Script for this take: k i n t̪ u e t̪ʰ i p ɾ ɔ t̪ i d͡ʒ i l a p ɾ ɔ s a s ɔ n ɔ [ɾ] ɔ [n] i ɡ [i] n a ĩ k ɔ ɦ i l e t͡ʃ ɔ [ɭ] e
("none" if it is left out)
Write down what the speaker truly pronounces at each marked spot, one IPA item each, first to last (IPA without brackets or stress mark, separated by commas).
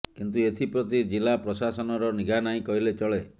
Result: ɾ, n, a, ɭ